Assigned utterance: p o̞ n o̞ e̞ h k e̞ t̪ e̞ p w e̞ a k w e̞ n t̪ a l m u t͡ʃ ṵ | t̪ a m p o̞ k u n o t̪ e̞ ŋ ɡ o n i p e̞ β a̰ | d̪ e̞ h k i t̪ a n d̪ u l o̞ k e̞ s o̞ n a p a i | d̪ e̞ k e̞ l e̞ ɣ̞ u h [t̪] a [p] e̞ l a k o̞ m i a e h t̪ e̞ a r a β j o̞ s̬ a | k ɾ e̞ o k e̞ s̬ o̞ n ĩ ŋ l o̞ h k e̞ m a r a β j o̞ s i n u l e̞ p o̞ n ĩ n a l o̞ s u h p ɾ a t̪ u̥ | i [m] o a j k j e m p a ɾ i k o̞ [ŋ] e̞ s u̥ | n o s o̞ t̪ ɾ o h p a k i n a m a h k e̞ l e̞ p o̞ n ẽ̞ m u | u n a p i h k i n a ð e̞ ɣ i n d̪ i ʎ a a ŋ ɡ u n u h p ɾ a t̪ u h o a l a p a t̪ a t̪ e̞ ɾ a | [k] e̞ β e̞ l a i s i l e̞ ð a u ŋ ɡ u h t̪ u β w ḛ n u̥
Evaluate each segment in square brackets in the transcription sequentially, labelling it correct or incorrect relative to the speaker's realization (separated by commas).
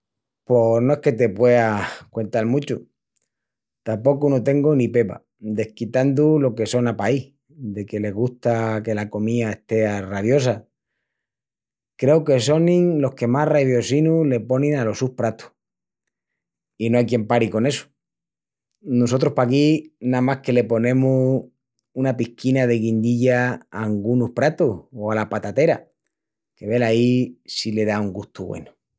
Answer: correct, incorrect, incorrect, incorrect, correct